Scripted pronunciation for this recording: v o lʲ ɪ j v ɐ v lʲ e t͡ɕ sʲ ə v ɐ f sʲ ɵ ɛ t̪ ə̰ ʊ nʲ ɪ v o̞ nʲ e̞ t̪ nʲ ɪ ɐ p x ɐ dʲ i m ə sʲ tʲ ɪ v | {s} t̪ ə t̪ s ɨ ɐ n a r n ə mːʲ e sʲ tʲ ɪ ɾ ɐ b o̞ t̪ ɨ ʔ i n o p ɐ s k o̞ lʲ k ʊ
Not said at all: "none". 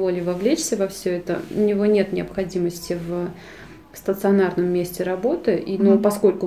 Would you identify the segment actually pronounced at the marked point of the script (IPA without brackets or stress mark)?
s